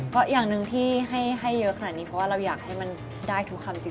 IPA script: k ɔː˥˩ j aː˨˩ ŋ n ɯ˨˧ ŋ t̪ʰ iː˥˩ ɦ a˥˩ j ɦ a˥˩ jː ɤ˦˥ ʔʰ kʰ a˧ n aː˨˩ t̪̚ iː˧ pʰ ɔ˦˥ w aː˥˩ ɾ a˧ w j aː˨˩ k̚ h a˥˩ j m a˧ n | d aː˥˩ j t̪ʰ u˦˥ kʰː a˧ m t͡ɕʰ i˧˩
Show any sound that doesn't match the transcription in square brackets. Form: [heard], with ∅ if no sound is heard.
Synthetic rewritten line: k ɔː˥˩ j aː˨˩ ŋ n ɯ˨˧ ŋ t̪ʰ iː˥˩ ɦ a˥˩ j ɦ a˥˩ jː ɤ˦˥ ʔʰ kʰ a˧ n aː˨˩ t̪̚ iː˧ pʰ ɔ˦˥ w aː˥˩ ɾ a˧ w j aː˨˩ k̚ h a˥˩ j m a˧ n | d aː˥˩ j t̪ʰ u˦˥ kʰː a˧ m [t͡ɕ] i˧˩

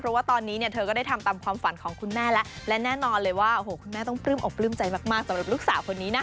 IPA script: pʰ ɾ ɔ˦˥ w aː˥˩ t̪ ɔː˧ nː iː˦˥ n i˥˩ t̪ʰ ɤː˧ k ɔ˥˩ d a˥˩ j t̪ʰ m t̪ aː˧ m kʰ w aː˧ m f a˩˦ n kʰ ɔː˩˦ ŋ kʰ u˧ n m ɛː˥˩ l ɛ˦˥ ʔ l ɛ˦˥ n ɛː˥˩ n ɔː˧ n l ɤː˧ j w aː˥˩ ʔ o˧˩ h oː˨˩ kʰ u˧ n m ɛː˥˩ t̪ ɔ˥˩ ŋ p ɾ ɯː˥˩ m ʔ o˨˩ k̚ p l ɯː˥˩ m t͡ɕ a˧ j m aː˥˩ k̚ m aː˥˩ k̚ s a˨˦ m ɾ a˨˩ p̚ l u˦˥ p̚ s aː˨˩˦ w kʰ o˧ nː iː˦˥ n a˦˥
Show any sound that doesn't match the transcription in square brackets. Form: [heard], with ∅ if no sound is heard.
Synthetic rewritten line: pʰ ɾ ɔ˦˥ w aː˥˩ t̪ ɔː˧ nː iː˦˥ n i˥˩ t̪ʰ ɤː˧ k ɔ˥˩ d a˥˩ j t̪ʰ m t̪ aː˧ m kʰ w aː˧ m f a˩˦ n kʰ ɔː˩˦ ŋ kʰ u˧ n m ɛː˥˩ l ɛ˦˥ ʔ l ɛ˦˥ n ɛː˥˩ n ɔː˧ n l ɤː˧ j w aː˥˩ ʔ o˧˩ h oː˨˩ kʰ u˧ n m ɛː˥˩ t̪ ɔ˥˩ ŋ p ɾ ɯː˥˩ m ʔ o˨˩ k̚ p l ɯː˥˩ m t͡ɕ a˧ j m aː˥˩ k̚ m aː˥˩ k̚ s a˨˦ m ɾ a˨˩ p̚ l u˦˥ [k̚] s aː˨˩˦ w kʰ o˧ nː iː˦˥ n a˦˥

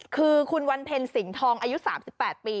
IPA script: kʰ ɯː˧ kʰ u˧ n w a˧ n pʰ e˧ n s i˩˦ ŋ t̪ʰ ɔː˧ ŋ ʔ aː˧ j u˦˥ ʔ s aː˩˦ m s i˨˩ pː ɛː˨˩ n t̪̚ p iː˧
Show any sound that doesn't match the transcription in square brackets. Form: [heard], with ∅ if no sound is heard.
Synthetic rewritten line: kʰ ɯː˧ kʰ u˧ n w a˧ n pʰ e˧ n s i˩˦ ŋ t̪ʰ ɔː˧ ŋ ʔ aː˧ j u˦˥ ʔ s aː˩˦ m s i˨˩ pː ɛː˨˩ [∅] t̪̚ p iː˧

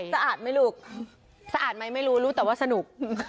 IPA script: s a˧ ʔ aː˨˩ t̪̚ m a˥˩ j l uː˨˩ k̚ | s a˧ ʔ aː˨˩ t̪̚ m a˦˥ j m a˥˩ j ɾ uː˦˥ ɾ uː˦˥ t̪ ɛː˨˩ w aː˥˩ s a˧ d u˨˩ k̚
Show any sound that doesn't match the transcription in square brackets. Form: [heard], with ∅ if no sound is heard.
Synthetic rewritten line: s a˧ ʔ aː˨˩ t̪̚ m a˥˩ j l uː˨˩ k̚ | s a˧ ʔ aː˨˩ t̪̚ m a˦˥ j m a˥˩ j ɾ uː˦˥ ɾ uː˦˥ t̪ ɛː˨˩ w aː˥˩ s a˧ [n] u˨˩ k̚

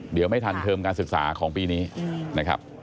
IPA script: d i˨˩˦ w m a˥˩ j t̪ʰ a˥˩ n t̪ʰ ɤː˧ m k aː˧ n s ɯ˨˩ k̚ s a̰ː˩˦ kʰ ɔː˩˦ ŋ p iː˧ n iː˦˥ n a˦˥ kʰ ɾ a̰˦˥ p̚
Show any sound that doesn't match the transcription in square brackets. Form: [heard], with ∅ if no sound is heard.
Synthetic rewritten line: d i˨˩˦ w m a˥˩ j t̪ʰ [a˧] n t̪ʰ ɤː˧ m k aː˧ n s ɯ˨˩ k̚ s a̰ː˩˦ kʰ ɔː˩˦ ŋ p iː˧ n iː˦˥ n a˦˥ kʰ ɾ a̰˦˥ p̚

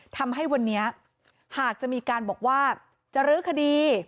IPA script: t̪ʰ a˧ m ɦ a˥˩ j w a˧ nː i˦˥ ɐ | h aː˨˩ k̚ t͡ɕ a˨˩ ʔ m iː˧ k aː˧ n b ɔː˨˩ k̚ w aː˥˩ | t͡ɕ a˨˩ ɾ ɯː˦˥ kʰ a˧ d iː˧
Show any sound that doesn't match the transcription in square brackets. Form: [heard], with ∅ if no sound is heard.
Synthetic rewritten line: t̪ʰ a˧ m ɦ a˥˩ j w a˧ nː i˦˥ ɐ | h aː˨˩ k̚ t͡ɕ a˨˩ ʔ m iː˧ k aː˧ n b ɔː˨˩ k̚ w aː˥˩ | t͡ɕ a˨˩ ɾ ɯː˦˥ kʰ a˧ d iː˧

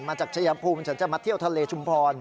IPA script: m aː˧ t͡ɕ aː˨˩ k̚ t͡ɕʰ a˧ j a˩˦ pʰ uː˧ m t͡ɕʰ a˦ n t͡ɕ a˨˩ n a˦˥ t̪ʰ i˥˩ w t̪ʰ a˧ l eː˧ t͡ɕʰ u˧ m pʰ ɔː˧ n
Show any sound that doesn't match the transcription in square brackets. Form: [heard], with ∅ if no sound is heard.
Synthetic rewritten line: m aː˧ t͡ɕ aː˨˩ k̚ t͡ɕʰ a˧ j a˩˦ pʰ uː˧ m t͡ɕʰ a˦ n t͡ɕ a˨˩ [m] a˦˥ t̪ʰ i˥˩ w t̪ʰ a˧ l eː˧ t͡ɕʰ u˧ m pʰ ɔː˧ n

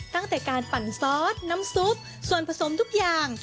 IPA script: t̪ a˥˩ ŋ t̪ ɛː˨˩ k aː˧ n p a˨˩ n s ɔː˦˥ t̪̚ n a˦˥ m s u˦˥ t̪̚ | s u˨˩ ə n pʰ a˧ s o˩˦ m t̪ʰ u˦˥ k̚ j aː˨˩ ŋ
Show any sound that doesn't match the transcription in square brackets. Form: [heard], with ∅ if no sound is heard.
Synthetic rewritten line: t̪ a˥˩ ŋ t̪ ɛː˨˩ k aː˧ n p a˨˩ n s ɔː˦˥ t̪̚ n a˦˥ m s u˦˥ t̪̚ | s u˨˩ ə n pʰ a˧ s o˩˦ m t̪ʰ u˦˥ k̚ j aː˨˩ ŋ

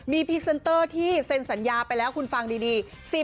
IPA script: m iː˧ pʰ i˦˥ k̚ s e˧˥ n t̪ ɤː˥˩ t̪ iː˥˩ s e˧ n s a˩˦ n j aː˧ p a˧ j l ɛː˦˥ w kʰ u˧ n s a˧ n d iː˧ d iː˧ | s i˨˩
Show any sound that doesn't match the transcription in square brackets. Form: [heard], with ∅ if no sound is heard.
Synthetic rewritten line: m iː˧ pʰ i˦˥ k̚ s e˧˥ n t̪ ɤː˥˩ [t̪ʰ] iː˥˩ s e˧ n s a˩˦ n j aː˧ p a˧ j l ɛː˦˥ w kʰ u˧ n [f] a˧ [ŋ] d iː˧ d iː˧ | s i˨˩

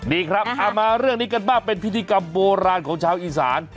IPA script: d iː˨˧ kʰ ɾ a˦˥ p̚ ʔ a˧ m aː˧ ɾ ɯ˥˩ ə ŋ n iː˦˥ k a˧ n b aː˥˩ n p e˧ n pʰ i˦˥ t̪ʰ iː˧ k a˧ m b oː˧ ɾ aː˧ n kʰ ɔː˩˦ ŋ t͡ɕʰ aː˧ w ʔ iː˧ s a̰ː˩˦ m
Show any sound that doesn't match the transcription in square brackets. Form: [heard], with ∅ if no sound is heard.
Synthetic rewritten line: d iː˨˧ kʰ ɾ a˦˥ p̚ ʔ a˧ m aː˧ ɾ ɯ˥˩ ə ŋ n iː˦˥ k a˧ n b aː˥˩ [ŋ] p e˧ n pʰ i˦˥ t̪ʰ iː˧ k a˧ m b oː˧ ɾ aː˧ n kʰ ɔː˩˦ ŋ t͡ɕʰ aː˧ w ʔ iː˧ s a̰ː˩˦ [n]

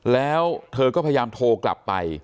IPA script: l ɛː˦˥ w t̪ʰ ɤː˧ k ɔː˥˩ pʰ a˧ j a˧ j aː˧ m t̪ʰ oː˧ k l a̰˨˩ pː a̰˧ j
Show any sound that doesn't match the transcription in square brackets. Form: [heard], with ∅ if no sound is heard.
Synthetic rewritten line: l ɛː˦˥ w t̪ʰ ɤː˧ k ɔː˥˩ pʰ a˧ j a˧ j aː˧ m t̪ʰ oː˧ k l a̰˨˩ pː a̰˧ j

